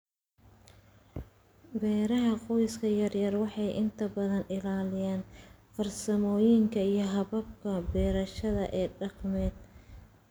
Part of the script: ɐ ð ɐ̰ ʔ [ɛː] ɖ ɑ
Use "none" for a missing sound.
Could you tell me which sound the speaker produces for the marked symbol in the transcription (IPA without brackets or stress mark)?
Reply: ɛː